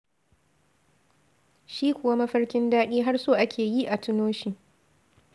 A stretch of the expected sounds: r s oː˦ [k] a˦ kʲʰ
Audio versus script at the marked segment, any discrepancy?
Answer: yes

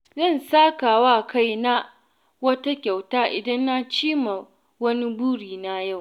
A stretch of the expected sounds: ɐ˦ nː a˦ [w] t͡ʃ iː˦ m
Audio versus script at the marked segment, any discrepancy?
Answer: yes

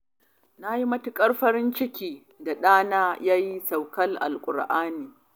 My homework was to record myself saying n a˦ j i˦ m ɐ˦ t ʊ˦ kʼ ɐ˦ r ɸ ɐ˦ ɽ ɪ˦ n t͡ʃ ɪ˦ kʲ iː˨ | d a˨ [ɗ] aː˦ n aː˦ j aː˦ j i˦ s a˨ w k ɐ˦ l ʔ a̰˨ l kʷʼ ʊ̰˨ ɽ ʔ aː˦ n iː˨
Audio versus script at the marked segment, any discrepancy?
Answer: no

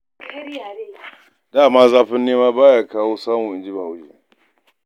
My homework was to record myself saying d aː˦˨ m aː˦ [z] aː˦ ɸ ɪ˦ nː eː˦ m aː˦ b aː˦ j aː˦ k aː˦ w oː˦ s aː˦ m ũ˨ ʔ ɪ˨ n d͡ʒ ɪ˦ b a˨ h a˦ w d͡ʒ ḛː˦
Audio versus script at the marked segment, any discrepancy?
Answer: no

